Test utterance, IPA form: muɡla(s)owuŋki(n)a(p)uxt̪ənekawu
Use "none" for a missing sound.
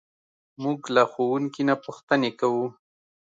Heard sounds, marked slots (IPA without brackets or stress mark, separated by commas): x, n, p